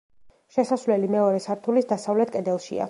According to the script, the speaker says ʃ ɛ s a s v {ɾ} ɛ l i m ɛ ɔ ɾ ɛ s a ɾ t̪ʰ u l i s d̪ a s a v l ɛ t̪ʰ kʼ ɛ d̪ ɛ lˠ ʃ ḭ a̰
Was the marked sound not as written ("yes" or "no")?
yes